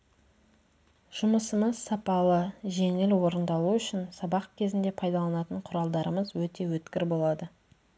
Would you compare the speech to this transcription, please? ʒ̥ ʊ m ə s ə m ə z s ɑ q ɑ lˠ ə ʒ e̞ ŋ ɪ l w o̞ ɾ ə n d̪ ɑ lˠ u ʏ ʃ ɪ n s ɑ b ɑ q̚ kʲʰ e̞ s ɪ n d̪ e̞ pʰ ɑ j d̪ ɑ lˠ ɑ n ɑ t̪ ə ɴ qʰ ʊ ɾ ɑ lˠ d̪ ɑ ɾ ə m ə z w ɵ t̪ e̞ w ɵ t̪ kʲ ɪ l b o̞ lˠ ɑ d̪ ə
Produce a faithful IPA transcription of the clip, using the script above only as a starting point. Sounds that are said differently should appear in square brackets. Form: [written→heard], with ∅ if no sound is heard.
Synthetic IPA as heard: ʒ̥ ʊ m ə s ə m ə z s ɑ [q→p] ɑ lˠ ə ʒ e̞ ŋ ɪ l w o̞ ɾ ə n d̪ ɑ lˠ u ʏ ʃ ɪ n s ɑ b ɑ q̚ kʲʰ e̞ [s→z] ɪ n d̪ e̞ pʰ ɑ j d̪ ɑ lˠ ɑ n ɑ t̪ ə ɴ qʰ ʊ ɾ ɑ lˠ d̪ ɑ ɾ ə m ə z w ɵ t̪ e̞ w ɵ t̪ kʲ ɪ [l→ɾ] b o̞ lˠ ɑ d̪ ə

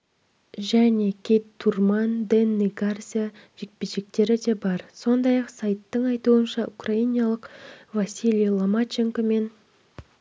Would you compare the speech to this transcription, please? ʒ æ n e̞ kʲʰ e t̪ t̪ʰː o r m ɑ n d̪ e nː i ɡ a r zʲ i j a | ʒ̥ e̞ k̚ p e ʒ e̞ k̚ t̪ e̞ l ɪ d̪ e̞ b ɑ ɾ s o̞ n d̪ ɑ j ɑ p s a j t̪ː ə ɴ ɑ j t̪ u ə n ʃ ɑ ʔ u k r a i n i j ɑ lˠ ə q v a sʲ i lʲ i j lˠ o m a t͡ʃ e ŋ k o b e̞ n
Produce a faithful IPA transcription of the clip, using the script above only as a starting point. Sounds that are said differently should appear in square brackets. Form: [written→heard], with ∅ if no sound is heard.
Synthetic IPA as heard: ʒ æ n e̞ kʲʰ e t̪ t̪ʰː [o→u] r m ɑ n d̪ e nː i ɡ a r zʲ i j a | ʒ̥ e̞ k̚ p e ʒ e̞ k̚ t̪ e̞ [l→ɾ] ɪ d̪ e̞ b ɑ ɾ s o̞ n d̪ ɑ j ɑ [p→q] s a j t̪ː ə ɴ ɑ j t̪ u ə n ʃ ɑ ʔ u k r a i n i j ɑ lˠ ə q v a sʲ i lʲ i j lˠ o m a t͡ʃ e ŋ k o [b→m] e̞ n

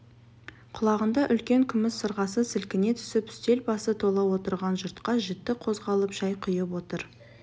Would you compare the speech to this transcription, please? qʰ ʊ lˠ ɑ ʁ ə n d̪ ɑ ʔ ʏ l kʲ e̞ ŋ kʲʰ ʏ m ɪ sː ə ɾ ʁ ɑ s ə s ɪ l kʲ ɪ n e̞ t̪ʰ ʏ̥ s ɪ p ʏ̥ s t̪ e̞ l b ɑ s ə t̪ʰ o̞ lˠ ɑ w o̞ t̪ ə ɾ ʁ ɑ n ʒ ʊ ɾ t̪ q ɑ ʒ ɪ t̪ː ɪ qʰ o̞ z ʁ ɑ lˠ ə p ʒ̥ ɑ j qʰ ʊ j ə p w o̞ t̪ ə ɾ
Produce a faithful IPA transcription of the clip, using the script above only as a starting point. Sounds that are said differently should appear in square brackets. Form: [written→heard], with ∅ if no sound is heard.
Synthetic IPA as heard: qʰ ʊ lˠ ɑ ʁ ə n d̪ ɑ ʔ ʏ l kʲ e̞ ŋ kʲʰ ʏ m ɪ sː ə ɾ ʁ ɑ s ə s ɪ l kʲ ɪ n e̞ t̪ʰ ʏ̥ s ɪ p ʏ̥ s t̪ e̞ l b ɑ s ə t̪ʰ o̞ lˠ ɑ w o̞ t̪ ə ɾ ʁ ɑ n ʒ ʊ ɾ t̪ q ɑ ʒ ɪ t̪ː ɪ qʰ o̞ z ʁ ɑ lˠ ə p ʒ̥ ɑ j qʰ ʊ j ə p w o̞ t̪ ə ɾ

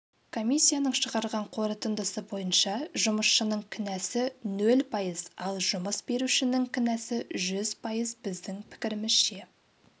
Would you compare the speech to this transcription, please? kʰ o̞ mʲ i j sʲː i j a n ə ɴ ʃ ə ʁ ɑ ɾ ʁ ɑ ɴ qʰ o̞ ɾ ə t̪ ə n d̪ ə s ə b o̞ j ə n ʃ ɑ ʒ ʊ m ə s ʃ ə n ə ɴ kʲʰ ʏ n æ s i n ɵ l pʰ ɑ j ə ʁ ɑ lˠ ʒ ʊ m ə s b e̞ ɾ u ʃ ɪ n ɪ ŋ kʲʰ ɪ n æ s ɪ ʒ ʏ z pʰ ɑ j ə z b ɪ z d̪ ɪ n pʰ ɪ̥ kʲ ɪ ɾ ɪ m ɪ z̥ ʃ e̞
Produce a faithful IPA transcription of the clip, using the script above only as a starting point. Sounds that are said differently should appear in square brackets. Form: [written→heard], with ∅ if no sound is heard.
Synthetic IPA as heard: kʰ o̞ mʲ i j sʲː i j a n ə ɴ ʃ ə ʁ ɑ ɾ ʁ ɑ ɴ qʰ o̞ ɾ ə t̪ ə n d̪ ə s ə b o̞ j ə n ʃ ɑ ʒ ʊ m ə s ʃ ə n ə ɴ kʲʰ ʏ n æ s [i→ɪ] n ɵ l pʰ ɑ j ə [ʁ→z] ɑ lˠ ʒ ʊ m ə s b e̞ ɾ u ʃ ɪ n ɪ ŋ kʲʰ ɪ n æ s ɪ ʒ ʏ z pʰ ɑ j ə z b ɪ z d̪ ɪ [n→ŋ] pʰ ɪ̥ kʲ ɪ ɾ ɪ m ɪ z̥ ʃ e̞

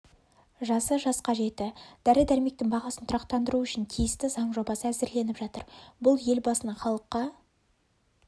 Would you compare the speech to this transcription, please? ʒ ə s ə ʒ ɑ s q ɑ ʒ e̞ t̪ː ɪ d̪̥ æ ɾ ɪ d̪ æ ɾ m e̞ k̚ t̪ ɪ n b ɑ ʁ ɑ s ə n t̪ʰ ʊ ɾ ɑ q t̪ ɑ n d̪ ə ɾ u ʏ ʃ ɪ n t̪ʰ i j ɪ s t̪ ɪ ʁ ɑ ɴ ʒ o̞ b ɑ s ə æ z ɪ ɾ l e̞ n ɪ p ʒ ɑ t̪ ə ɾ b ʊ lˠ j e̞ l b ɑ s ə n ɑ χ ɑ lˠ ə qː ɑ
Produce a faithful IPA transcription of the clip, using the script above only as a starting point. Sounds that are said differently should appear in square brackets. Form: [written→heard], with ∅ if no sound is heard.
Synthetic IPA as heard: ʒ [ə→ɑ] s ə ʒ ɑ s q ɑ ʒ e̞ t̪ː ɪ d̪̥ æ ɾ ɪ d̪ æ ɾ m e̞ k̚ t̪ ɪ [n→ŋ] b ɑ ʁ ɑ s ə n t̪ʰ ʊ ɾ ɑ q t̪ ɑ n d̪ ə ɾ u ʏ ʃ ɪ n t̪ʰ i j ɪ s t̪ ɪ [ʁ→z] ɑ ɴ ʒ o̞ b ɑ s ə æ z ɪ ɾ l e̞ n ɪ p ʒ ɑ t̪ ə ɾ b ʊ lˠ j e̞ l b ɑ s ə n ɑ χ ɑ lˠ ə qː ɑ

